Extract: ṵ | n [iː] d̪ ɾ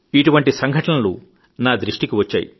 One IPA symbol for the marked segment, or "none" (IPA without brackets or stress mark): aː